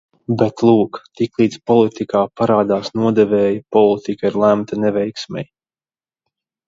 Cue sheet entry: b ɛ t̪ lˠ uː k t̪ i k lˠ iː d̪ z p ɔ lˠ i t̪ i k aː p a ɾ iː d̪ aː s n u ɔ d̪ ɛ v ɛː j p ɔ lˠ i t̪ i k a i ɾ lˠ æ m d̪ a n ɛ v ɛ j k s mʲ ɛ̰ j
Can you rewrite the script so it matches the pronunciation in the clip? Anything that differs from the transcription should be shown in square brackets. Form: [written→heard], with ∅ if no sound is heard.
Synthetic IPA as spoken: b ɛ t̪ lˠ uː k t̪ i k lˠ iː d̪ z p ɔ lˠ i t̪ i k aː p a ɾ [iː→aː] d̪ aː s n u ɔ d̪ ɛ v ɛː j p ɔ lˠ i t̪ i k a i ɾ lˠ æ m [d̪→t̪] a n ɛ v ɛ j k s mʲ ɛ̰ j

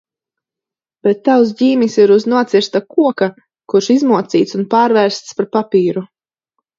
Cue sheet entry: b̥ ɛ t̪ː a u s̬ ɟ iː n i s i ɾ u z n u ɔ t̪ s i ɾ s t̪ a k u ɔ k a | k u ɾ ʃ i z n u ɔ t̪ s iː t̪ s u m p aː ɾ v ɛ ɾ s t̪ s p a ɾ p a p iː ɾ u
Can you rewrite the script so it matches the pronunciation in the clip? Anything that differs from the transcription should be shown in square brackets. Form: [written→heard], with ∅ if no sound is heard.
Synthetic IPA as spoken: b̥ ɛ t̪ː a [u→w] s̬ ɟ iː [n→m] i s i ɾ u z n u ɔ t̪ s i ɾ s t̪ a k u ɔ k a | k u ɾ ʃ i z [n→m] u ɔ t̪ s iː t̪ s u [m→n] p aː ɾ v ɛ ɾ s t̪ s p a ɾ p a p iː ɾ u

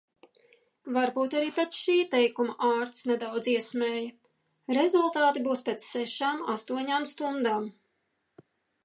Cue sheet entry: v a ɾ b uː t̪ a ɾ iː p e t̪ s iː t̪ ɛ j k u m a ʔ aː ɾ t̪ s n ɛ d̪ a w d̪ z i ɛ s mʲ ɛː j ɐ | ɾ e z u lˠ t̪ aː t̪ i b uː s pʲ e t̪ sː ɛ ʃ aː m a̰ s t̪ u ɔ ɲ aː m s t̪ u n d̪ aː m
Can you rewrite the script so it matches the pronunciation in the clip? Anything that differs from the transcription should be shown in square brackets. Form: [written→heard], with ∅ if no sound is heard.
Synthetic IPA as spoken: v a ɾ b uː t̪ a ɾ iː p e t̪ [s→ʃ] iː t̪ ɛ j k u m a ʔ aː ɾ t̪ s n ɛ d̪ a w d̪ z i ɛ s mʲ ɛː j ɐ | ɾ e z u lˠ t̪ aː t̪ i b uː s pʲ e t̪ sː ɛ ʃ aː m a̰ s t̪ u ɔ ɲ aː m s t̪ u n d̪ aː m

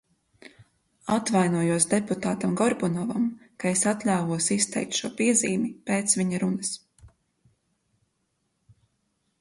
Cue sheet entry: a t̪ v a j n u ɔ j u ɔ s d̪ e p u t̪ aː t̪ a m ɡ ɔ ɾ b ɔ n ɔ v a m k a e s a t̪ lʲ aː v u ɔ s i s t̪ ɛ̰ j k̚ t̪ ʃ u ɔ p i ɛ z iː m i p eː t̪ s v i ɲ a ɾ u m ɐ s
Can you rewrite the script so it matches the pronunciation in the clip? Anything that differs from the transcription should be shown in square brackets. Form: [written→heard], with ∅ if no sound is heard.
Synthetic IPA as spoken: a t̪ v a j n u ɔ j u ɔ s d̪ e p u t̪ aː t̪ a m ɡ ɔ ɾ b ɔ n ɔ v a m k a e s a t̪ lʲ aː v u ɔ s i s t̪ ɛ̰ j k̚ t̪ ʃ u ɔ p i ɛ z iː m i p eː t̪ s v i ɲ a ɾ u [m→n] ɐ s

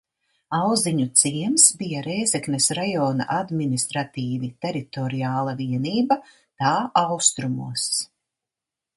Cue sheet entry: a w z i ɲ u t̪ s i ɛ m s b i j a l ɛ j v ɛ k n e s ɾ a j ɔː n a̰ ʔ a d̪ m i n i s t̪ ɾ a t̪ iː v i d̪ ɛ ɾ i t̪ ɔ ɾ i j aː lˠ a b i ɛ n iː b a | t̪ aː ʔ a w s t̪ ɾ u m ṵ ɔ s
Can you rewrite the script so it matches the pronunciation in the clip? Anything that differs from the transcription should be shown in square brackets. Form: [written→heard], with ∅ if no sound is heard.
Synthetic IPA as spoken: a w z i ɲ u t̪ s i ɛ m s b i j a [l→ɾ] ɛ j [v→z] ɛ k n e s ɾ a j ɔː n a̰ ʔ a d̪ m i n i s t̪ ɾ a t̪ iː v i [d̪→t̪] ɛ ɾ i t̪ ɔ ɾ i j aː lˠ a [b→v] i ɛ n iː b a | t̪ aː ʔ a w s t̪ ɾ u m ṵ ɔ s

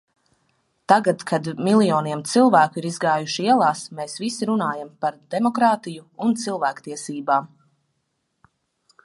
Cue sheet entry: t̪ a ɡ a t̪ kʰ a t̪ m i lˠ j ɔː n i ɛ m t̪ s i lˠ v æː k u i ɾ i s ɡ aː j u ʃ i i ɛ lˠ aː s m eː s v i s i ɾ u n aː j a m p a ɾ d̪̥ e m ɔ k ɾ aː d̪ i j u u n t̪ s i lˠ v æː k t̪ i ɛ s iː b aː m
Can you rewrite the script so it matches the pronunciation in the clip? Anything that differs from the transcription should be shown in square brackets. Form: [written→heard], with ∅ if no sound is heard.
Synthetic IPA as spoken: t̪ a ɡ a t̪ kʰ a [t̪→d̪] m i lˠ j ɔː n i ɛ m t̪ s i lˠ v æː k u i ɾ i [s→z] ɡ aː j u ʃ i i ɛ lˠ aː s m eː s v i s i ɾ u n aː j a m p a ɾ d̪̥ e m ɔ k ɾ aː [d̪→t̪] i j u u n t̪ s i lˠ v æː k t̪ i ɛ s iː b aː m

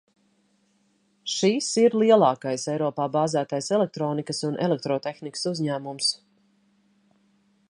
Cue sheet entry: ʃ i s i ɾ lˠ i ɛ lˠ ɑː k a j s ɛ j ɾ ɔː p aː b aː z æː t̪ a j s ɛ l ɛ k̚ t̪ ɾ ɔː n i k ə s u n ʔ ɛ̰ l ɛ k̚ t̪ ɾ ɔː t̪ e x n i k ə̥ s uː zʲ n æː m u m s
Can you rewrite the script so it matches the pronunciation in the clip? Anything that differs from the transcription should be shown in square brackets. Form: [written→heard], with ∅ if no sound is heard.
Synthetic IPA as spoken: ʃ i s i ɾ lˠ i ɛ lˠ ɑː k a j s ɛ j ɾ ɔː p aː b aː z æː t̪ a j s ɛ l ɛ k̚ t̪ ɾ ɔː n i k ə s u n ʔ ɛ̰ l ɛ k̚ t̪ ɾ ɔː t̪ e x n i k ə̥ s [uː→u] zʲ [n→ɲ] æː m u m s

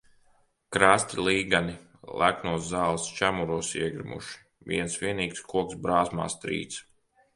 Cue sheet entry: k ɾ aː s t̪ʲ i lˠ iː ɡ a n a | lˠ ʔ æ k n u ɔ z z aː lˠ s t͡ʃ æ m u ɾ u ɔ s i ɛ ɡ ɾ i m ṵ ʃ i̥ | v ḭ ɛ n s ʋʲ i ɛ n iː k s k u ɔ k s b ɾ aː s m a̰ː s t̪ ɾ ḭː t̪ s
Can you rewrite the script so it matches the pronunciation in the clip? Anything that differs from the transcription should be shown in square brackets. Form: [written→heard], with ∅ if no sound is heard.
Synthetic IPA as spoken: k ɾ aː s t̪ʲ i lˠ iː ɡ a n [a→i] | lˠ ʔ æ k n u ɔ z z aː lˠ s t͡ʃ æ m u ɾ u ɔ s i ɛ ɡ ɾ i m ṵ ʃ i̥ | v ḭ ɛ n s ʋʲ i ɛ n iː k s k u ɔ k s b ɾ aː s m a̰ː s t̪ ɾ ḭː t̪ s

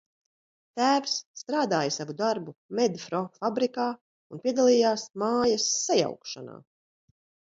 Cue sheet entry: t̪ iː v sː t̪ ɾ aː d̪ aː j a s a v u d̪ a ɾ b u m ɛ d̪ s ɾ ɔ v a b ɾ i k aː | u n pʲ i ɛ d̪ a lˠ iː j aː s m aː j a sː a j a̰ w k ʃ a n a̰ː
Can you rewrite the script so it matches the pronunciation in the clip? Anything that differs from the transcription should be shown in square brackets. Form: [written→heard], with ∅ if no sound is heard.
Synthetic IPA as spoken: t̪ [iː→æː] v sː t̪ ɾ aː d̪ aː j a s a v u d̪ a ɾ b u m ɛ d̪ [s→f] ɾ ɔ [v→f] a b ɾ i k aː | u n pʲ i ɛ d̪ a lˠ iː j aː s m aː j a sː a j a̰ w k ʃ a n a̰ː

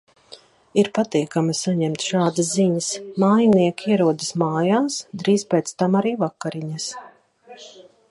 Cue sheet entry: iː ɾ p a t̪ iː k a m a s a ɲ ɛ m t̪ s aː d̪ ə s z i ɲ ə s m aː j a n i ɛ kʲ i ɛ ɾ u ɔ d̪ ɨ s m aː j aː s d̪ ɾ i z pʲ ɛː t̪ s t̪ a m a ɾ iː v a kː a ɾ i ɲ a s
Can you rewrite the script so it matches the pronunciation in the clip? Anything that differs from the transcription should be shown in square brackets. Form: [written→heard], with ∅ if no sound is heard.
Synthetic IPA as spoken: [iː→i] ɾ p a t̪ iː k a m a s a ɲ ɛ m t̪ [s→ʃ] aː d̪ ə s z i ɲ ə s m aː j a n i ɛ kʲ i ɛ ɾ u ɔ d̪ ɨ s m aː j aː s d̪ ɾ [i→iː] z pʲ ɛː t̪ s t̪ a m a ɾ iː v a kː a ɾ i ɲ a s

